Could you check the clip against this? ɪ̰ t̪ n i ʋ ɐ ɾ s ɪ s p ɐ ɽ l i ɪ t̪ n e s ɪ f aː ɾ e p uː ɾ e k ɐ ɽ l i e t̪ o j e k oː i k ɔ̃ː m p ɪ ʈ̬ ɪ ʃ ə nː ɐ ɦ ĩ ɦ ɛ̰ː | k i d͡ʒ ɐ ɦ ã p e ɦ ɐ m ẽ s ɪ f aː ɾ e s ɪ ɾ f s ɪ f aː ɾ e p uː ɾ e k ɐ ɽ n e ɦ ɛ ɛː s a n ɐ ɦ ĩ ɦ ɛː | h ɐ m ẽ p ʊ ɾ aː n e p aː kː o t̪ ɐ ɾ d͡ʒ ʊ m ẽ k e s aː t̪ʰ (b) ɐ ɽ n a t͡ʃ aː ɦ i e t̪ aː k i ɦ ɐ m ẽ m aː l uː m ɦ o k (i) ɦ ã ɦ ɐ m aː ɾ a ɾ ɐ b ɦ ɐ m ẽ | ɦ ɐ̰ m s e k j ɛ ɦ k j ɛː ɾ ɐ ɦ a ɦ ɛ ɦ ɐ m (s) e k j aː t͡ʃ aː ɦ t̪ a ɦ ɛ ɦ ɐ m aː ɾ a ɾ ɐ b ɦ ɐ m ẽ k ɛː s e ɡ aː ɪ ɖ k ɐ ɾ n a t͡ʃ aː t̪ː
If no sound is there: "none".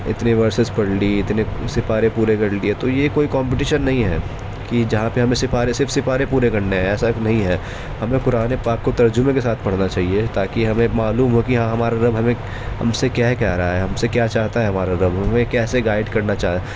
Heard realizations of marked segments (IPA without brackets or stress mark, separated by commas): p, i, s